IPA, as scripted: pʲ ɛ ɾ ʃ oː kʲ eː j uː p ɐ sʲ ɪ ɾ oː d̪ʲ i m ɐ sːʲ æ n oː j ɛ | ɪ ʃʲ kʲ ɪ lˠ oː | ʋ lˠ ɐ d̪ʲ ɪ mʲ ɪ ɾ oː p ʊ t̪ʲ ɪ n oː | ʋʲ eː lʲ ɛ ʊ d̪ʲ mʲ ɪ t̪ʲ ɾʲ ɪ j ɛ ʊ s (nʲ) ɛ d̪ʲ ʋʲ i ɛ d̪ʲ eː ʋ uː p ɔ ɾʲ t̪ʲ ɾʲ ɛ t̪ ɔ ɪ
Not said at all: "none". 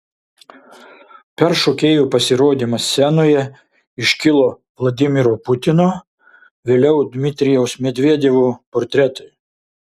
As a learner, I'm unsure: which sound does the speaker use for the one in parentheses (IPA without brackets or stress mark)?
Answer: mʲ